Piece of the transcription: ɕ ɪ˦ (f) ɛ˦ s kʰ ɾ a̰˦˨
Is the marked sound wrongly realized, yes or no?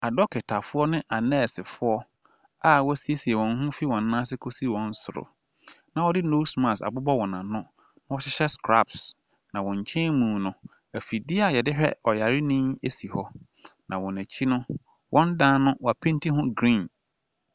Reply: yes